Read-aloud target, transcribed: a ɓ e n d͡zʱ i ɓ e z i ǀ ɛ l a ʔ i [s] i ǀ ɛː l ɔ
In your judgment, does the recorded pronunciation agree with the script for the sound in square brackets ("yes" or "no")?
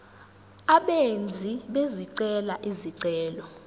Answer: no